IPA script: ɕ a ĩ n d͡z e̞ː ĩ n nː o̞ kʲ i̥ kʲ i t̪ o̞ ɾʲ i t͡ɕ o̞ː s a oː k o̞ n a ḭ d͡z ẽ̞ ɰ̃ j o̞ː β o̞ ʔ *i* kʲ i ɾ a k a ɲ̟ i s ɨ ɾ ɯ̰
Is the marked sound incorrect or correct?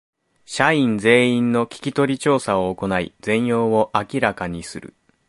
incorrect: a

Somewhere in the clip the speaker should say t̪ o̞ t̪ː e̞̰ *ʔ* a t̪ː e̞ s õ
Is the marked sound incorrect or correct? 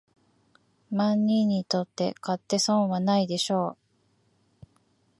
incorrect: k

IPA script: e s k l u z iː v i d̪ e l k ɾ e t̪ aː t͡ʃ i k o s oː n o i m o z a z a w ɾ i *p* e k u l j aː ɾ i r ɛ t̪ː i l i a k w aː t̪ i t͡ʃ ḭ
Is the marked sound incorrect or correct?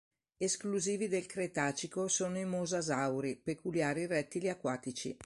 correct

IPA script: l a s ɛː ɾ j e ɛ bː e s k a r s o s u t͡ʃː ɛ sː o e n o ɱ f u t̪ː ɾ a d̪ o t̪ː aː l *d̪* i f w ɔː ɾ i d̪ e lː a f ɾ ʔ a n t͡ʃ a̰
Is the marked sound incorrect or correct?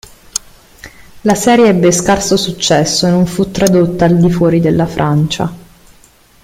correct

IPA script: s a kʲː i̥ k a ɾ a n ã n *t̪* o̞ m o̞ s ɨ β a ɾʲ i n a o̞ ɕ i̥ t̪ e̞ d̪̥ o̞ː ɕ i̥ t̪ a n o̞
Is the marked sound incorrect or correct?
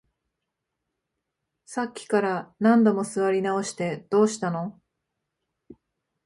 incorrect: d̪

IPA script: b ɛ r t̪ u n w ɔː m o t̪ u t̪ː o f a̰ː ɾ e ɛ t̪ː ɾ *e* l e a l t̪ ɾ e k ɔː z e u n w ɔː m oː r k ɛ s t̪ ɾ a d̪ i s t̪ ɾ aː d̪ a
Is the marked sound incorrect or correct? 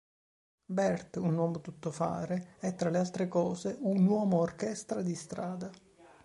incorrect: a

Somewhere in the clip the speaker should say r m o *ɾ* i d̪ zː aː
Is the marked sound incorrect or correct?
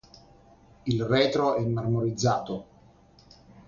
correct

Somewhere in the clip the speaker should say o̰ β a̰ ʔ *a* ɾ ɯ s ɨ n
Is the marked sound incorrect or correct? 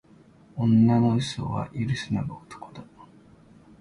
incorrect: i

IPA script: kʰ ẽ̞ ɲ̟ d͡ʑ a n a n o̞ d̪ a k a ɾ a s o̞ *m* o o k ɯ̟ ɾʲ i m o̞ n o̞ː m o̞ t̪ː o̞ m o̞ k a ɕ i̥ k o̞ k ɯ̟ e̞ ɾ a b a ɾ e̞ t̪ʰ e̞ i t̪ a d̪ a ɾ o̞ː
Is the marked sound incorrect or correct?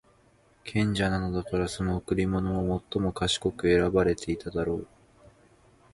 incorrect: n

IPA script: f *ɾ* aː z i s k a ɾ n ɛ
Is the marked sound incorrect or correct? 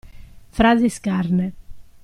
correct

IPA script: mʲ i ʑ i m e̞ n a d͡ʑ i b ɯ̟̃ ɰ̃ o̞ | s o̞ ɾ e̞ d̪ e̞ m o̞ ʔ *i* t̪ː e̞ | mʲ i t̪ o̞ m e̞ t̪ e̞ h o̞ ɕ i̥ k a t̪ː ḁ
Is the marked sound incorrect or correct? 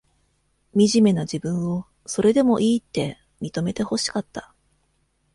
incorrect: iː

